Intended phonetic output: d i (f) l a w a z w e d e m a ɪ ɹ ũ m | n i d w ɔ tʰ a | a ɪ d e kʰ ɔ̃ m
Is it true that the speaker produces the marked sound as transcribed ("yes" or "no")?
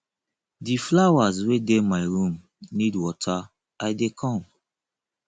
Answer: yes